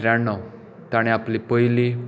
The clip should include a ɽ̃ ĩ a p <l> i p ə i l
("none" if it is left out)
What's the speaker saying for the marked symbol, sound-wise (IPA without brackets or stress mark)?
l